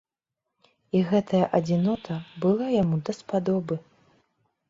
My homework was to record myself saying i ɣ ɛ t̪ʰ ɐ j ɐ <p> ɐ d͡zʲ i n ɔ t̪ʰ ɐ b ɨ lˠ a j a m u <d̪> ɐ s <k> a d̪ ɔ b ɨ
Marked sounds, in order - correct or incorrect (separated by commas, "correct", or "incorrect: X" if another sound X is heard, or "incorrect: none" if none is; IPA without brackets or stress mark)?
incorrect: ʔ, correct, incorrect: p